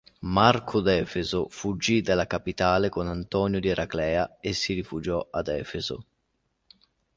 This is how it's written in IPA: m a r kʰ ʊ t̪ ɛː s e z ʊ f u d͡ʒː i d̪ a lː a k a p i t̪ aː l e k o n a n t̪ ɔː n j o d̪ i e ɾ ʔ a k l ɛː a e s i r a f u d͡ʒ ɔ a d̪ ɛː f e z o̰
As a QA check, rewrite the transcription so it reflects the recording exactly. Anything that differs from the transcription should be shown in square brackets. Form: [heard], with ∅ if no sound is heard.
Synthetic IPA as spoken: m a r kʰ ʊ [d̪] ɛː [f] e z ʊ f u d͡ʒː i d̪ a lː a k a p i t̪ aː l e k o n a n t̪ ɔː n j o d̪ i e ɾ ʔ a k l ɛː a e s i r [i] f u d͡ʒ ɔ a d̪ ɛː f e z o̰

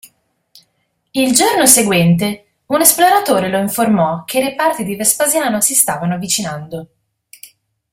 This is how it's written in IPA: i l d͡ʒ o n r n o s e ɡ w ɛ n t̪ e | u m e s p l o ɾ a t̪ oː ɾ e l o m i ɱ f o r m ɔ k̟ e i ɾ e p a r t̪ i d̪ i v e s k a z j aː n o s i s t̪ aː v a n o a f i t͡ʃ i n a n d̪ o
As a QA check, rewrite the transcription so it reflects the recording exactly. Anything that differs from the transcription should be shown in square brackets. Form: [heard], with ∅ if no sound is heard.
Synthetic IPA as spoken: i l d͡ʒ o [∅] r n o s e ɡ w ɛ n t̪ e | u [n] e s p l o ɾ a t̪ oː ɾ e l o [∅] i ɱ f o r m ɔ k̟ e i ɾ e p a r t̪ i d̪ i v e s [p] a z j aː n o s i s t̪ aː v a n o a [v] i t͡ʃ i n a n d̪ o

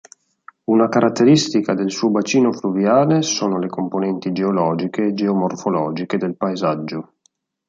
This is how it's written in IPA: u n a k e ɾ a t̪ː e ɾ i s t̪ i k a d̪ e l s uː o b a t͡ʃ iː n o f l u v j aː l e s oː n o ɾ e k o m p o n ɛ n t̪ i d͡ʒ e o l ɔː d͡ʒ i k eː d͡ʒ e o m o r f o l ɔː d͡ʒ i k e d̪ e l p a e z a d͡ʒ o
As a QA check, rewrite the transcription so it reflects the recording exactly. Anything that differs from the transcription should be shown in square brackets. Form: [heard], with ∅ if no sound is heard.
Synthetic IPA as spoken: u n a k [a] ɾ a t̪ː e ɾ i s t̪ i k a d̪ e l s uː o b a t͡ʃ iː n o f l u v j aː l e s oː n o [l] e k o m p o n ɛ n t̪ i d͡ʒ e o l ɔː d͡ʒ i k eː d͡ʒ e o m o r f o l ɔː d͡ʒ i k e d̪ e l p a e z a [d͡ʒː] o

